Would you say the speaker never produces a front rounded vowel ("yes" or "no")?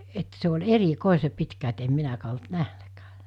yes